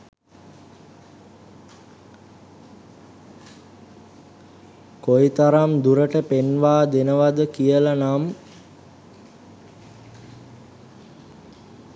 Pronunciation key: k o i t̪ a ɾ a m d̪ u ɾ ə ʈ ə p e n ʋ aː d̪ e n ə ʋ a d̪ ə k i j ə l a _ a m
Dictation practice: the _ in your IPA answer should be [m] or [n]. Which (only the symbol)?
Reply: n